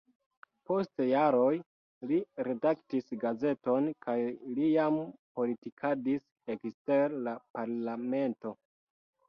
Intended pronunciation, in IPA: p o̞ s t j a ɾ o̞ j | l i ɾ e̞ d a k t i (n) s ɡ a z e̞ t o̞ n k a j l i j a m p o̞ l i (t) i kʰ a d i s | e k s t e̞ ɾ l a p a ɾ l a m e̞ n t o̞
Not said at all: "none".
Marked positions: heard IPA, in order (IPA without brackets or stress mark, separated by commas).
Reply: none, t